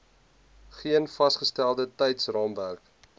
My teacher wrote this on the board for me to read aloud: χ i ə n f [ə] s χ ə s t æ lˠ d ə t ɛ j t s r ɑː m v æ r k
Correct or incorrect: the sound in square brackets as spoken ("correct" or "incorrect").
incorrect